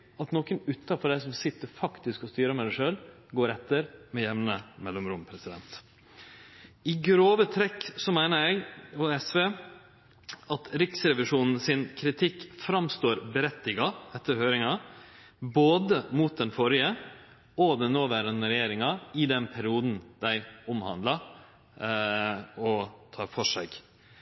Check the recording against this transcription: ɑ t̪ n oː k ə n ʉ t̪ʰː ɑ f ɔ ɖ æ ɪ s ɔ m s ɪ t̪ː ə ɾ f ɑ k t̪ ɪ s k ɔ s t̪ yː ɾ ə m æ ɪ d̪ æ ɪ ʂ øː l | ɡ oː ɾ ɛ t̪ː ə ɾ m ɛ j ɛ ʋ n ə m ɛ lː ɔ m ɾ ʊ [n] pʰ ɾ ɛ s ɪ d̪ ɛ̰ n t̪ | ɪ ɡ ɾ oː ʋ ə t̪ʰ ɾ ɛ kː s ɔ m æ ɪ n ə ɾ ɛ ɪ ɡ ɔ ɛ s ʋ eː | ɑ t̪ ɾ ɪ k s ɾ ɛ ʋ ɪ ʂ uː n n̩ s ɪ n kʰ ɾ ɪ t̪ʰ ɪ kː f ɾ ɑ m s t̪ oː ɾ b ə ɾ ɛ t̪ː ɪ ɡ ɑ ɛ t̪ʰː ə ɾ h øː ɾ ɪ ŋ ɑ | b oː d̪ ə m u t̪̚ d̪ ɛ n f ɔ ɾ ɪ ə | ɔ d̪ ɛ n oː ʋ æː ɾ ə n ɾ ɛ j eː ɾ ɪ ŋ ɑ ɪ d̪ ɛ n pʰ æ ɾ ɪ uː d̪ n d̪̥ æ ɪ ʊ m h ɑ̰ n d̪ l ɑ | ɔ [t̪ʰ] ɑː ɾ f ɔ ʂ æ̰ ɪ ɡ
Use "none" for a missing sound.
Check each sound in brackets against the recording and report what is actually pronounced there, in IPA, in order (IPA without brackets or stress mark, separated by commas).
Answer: m, t̪ʰ